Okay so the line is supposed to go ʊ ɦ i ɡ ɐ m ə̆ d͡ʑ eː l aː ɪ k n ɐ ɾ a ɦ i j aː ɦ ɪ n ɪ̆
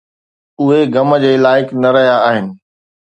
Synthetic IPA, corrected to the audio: ʊ ɦ e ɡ ɐ m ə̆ d͡ʑ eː l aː ɪ k n ɐ ɾ ɐ ɦ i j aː ɦ ɪ n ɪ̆